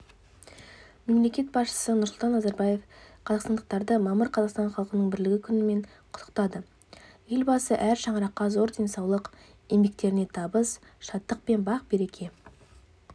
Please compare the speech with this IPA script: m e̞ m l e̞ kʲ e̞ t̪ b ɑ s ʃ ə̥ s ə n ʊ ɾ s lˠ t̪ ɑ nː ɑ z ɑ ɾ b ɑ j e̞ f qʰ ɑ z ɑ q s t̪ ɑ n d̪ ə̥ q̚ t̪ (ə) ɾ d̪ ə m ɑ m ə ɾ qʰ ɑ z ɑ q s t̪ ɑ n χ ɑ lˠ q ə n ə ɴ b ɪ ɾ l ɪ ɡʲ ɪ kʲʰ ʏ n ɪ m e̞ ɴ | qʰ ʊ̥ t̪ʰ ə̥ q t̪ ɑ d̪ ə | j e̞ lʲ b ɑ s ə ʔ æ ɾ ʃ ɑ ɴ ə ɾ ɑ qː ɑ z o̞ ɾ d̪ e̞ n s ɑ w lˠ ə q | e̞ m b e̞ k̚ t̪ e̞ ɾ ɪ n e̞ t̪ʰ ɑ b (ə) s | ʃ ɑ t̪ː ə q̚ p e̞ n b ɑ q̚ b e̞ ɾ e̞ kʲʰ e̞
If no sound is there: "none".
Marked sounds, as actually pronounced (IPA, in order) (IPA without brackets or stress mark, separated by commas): ɑ, ə